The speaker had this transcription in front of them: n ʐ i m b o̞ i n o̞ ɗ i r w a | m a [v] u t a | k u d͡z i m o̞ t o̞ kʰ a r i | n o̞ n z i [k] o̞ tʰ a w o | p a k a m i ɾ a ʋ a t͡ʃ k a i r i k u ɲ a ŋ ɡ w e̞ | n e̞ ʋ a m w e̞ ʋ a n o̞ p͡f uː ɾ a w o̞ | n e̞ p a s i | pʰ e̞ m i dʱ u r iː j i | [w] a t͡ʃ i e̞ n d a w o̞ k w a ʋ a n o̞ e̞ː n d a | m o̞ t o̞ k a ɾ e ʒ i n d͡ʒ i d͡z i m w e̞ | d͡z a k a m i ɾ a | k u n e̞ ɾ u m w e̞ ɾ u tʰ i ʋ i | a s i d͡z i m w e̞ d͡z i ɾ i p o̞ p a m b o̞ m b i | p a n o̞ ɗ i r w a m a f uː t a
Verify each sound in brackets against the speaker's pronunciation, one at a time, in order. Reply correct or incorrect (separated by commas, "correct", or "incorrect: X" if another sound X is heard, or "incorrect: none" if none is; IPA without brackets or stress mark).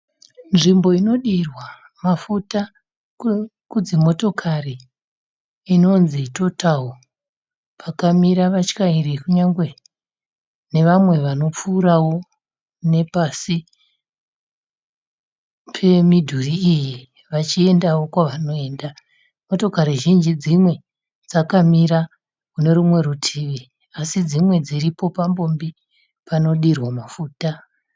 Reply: incorrect: f, incorrect: t, incorrect: ʋ